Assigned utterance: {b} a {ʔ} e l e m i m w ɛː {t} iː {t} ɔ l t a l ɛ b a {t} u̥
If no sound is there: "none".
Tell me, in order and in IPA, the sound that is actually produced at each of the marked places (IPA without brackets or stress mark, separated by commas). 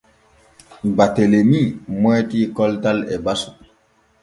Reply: b, t, t, k, s